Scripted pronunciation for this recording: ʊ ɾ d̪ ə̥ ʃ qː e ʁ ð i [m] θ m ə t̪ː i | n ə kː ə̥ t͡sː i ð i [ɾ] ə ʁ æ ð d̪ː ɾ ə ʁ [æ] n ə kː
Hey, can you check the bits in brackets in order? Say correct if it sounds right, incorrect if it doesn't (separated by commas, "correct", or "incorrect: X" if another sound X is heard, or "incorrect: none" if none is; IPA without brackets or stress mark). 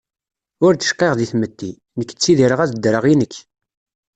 incorrect: none, correct, incorrect: i